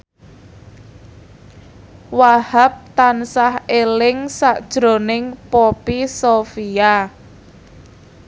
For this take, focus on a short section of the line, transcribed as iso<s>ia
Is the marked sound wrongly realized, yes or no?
yes